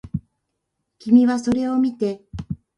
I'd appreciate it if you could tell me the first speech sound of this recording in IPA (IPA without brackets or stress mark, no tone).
kʲ